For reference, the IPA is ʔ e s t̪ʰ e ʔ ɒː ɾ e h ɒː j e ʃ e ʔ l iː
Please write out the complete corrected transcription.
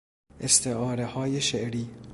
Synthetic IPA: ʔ e s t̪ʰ e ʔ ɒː ɾ e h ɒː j e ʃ e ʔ ɾ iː